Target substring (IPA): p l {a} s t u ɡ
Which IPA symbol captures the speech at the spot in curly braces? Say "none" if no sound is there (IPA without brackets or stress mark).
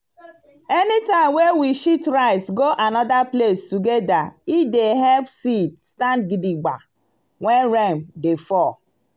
e